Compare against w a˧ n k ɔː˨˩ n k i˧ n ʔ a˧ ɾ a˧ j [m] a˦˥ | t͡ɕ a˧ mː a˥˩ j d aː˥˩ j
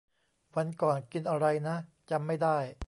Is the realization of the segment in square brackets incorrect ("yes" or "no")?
yes